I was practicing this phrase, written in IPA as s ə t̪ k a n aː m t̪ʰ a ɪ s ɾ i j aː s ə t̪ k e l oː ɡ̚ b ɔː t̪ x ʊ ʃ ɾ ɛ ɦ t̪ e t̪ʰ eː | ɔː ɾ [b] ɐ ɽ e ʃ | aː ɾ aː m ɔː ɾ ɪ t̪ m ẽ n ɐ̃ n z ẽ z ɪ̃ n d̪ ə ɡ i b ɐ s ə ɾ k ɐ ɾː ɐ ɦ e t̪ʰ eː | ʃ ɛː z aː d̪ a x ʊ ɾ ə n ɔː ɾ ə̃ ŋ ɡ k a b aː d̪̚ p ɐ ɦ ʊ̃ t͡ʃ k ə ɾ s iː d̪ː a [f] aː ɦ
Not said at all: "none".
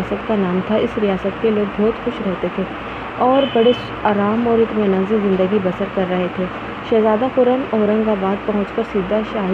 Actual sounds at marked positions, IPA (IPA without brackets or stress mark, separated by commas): b, ʃ